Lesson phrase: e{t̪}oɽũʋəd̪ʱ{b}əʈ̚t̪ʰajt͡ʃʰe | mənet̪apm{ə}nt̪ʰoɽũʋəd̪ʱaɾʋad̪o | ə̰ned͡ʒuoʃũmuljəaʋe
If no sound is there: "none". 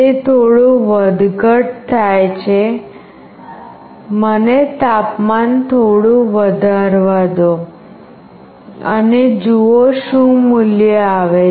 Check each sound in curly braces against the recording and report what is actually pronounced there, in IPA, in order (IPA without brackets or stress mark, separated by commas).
t̪ʰ, ɡ, a